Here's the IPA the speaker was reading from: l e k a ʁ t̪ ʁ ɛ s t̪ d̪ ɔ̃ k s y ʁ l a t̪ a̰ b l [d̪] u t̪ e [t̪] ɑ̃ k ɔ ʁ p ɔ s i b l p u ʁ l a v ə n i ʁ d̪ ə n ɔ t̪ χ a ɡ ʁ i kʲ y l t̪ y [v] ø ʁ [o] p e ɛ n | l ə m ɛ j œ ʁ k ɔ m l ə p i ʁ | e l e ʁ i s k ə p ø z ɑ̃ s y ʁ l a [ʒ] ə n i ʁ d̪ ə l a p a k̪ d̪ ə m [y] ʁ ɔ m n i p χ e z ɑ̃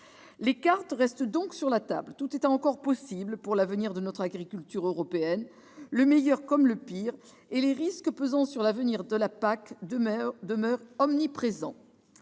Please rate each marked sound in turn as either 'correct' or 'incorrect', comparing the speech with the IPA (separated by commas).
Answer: incorrect, correct, incorrect, incorrect, incorrect, incorrect